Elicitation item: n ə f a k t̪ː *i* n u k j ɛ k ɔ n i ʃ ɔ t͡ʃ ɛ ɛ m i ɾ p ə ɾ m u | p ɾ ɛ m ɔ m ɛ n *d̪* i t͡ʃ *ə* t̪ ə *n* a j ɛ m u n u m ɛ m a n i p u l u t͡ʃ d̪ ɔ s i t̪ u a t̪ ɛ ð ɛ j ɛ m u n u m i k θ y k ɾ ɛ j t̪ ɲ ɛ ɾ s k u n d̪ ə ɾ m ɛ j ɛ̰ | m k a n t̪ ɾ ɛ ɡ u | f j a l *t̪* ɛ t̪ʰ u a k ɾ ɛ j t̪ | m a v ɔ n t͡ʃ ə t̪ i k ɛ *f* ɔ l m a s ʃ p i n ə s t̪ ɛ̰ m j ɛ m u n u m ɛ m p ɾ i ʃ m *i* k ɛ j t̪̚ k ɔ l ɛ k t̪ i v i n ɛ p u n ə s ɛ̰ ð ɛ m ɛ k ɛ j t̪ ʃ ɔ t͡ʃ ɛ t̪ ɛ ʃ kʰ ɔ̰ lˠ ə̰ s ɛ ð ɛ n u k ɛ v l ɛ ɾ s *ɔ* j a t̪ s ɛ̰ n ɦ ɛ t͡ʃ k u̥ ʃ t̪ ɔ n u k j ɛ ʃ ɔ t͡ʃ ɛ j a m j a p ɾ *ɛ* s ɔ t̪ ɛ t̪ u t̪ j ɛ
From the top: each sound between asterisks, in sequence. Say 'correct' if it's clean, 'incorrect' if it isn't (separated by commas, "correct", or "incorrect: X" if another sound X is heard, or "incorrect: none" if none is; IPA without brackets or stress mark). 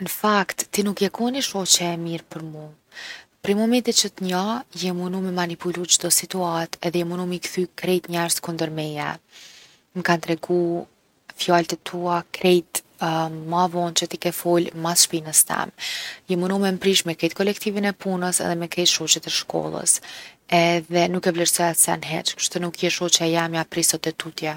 correct, incorrect: t̪, correct, incorrect: ɲ, correct, correct, incorrect: ɛ, correct, incorrect: i